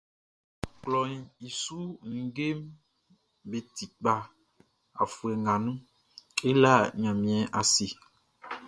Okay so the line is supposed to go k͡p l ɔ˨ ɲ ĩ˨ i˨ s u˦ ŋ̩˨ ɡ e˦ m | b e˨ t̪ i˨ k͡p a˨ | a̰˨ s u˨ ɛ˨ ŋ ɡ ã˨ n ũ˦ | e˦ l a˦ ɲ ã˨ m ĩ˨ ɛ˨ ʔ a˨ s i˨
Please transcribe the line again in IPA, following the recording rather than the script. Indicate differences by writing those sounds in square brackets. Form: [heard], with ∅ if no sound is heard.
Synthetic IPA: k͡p l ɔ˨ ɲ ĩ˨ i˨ s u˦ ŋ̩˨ ɡ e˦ m | b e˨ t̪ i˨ k͡p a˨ | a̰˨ [f] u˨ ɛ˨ ŋ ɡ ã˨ n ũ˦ | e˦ l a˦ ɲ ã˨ m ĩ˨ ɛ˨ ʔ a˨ s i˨